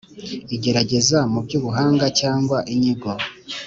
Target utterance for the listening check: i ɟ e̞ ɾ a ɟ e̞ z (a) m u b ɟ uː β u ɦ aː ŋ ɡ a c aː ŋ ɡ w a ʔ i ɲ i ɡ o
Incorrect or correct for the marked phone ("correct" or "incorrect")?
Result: correct